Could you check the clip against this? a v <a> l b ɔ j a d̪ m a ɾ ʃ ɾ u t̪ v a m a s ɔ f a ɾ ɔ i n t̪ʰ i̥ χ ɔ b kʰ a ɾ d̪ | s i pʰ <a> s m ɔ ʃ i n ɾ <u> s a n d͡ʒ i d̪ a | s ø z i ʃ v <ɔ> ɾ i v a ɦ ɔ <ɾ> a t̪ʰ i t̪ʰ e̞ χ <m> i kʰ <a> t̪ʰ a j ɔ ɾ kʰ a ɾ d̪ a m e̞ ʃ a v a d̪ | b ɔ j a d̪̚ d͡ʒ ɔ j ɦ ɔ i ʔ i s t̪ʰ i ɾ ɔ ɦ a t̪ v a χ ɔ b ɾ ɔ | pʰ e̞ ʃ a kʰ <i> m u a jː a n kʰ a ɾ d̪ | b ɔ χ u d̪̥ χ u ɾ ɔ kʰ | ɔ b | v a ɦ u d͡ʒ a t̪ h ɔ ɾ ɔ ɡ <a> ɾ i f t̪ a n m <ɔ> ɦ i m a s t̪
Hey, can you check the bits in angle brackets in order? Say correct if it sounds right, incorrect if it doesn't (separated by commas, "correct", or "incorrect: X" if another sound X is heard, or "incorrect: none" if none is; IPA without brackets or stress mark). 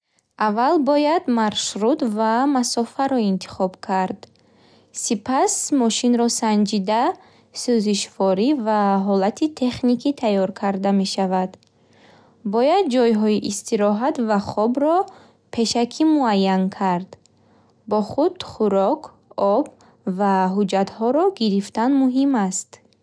correct, correct, incorrect: ɔ, correct, incorrect: l, incorrect: n, incorrect: i, correct, incorrect: i, incorrect: u